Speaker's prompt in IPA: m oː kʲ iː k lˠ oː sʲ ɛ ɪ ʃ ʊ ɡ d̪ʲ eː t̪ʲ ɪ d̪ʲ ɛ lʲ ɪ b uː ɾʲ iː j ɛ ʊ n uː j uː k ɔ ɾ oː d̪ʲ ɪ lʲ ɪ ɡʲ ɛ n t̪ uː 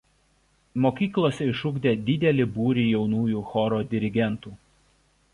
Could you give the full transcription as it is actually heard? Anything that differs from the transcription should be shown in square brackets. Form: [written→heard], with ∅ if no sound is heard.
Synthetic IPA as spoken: m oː kʲ iː k lˠ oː sʲ ɛ ɪ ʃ ʊ ɡ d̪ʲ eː [t̪ʲ→d̪ʲ] ɪ d̪ʲ ɛ lʲ ɪ b uː ɾʲ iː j ɛ ʊ n uː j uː [k→x] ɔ ɾ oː d̪ʲ ɪ [lʲ→ɾʲ] ɪ ɡʲ ɛ n t̪ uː